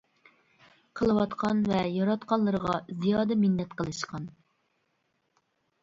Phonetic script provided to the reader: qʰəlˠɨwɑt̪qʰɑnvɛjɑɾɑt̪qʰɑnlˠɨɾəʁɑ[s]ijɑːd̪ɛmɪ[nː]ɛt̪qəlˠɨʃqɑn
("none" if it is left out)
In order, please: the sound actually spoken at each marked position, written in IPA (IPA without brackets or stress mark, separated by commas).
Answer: z, nː